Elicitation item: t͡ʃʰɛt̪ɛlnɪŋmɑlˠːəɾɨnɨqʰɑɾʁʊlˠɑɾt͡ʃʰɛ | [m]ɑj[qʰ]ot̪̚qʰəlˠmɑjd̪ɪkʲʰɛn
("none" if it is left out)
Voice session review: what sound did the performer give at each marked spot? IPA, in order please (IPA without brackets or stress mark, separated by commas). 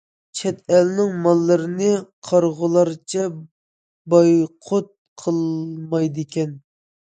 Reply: b, qʰ